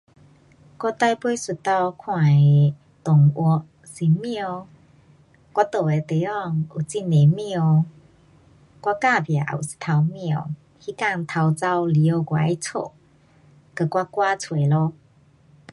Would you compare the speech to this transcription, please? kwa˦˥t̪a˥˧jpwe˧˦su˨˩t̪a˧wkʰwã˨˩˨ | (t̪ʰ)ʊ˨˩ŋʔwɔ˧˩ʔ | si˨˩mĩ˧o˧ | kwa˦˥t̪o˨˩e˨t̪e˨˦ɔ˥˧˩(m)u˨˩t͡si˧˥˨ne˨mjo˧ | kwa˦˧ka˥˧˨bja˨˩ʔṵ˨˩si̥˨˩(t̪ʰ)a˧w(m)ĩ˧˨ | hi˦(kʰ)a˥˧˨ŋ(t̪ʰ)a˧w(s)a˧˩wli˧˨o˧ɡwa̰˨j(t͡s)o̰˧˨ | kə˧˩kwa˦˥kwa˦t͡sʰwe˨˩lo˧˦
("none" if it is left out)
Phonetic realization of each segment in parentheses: t̪, ŋ, t̪ʰ, m, k, t̪ʰ, t͡s, t͡sʰ

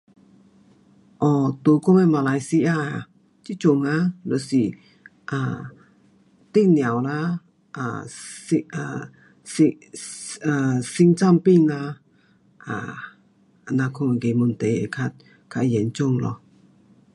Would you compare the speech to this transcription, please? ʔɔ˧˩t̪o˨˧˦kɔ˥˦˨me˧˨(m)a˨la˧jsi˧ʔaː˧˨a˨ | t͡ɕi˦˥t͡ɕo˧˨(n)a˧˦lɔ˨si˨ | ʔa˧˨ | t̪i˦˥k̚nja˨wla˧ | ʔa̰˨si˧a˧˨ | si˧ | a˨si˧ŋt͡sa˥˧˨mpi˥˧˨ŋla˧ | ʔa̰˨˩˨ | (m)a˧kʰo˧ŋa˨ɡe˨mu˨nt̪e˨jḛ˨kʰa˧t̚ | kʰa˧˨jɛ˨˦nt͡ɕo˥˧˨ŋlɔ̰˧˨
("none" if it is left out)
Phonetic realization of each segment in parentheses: m, ŋ, n

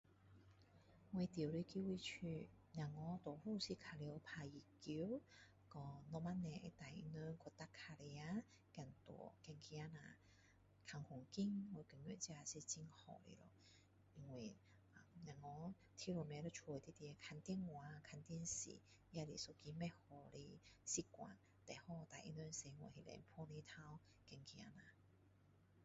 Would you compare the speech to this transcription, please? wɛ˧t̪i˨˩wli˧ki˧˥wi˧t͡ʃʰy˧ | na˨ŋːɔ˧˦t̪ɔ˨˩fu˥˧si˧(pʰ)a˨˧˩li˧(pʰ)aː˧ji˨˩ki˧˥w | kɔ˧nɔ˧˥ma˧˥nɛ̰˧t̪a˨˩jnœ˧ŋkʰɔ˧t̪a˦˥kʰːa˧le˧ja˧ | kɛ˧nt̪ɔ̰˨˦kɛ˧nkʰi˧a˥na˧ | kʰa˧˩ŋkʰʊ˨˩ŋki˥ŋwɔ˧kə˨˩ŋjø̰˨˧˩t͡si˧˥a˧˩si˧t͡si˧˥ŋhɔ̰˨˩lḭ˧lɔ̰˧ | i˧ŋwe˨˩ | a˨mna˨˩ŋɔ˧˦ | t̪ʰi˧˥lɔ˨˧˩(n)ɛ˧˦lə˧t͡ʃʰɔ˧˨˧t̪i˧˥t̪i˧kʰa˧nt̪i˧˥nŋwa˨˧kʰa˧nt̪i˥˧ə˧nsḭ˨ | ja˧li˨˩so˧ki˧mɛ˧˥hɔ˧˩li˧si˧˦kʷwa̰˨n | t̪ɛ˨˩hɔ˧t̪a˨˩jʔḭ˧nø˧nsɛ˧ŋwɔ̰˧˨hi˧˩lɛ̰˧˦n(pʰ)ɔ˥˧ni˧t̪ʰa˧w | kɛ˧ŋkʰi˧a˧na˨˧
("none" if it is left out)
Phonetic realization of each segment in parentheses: kʰ, pʰ, m, pʰ

